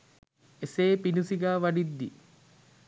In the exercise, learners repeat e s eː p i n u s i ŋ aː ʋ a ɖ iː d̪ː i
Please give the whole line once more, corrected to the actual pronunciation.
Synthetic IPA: e s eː p i n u s i ɡ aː ʋ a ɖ i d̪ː i